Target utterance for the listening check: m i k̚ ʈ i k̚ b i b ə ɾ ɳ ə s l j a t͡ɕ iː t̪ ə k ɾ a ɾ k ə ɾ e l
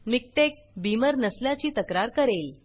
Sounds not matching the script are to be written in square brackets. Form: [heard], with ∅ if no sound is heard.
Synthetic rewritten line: m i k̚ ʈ [e] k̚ b i [m] ə ɾ [n] ə s l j a t͡ɕ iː t̪ ə k ɾ a ɾ k ə ɾ e l